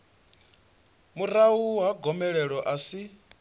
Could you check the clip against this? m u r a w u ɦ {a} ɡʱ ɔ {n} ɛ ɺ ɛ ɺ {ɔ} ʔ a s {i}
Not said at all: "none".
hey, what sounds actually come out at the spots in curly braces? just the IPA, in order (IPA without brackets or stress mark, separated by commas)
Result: a, m, ɔ, i